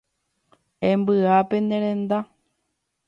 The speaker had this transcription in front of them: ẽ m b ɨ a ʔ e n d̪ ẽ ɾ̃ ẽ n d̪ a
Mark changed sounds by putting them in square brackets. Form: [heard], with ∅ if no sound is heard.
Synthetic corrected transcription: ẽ m b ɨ a [p] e n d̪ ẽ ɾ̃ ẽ n d̪ a

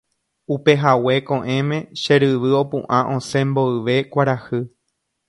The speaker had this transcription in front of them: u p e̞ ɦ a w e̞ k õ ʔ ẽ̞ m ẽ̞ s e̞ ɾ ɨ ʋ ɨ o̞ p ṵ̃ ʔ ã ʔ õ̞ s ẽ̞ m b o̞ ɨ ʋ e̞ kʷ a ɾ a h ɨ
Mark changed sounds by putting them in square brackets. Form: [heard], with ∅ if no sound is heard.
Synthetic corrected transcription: u p e̞ ɦ a w e̞ k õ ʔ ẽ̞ m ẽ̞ [ʃ] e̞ ɾ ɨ ʋ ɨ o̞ p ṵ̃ ʔ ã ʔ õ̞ s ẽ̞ m b o̞ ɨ ʋ e̞ kʷ a ɾ a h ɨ

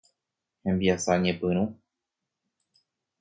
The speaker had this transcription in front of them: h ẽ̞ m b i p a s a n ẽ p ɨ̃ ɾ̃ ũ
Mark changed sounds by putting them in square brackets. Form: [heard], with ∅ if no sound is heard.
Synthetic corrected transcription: h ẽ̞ m b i [∅] a s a [ɲ] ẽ p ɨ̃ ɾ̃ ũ

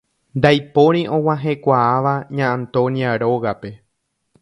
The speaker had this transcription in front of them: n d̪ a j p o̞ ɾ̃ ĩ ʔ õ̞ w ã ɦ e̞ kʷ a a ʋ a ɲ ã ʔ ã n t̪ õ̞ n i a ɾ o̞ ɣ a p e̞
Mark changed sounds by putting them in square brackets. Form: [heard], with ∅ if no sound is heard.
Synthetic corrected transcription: n d̪ a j p o̞ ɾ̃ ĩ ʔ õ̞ w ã ɦ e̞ kʷ a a ʋ a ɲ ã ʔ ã n t̪ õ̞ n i a ɾ o̞ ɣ a p e̞

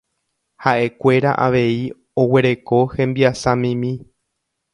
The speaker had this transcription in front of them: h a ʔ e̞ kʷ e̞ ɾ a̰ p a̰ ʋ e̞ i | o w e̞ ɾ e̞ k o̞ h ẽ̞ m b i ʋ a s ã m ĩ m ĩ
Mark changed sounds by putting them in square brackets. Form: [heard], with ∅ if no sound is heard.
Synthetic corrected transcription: h a ʔ e̞ kʷ e̞ ɾ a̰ [ʔ] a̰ ʋ e̞ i | o w e̞ ɾ e̞ k o̞ h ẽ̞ m b i [∅] a s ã m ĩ m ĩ

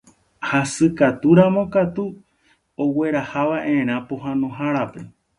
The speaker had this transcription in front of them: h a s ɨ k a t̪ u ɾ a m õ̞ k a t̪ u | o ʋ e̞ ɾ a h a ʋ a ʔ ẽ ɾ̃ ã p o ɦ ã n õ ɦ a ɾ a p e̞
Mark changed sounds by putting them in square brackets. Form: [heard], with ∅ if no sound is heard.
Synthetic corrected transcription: h a s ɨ k a t̪ u ɾ a m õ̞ k a t̪ u | o [w] e̞ ɾ a h a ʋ a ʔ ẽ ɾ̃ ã p o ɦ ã n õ ɦ a ɾ a p e̞

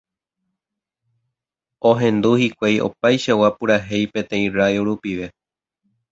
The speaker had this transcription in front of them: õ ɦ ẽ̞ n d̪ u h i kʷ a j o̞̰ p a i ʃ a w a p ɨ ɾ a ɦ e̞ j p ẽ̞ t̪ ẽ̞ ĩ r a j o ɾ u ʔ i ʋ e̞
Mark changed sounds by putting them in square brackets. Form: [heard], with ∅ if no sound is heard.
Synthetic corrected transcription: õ ɦ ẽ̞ n d̪ u h i kʷ a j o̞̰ p a [j] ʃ a w a p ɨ ɾ a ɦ e̞ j p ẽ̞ t̪ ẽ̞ ĩ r a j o ɾ u [p] i ʋ e̞

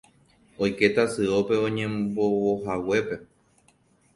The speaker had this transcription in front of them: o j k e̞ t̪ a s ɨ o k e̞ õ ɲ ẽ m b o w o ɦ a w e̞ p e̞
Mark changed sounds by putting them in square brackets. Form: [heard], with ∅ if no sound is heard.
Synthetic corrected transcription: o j k e̞ t̪ a s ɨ o [p] e̞ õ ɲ ẽ m b o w o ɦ a w e̞ p e̞

